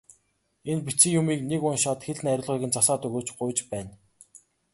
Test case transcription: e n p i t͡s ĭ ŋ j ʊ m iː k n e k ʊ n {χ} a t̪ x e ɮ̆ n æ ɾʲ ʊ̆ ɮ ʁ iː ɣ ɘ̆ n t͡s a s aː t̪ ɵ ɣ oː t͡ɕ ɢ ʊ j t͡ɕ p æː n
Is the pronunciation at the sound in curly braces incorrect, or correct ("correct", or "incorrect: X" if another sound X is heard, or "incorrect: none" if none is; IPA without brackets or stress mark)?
incorrect: ʃ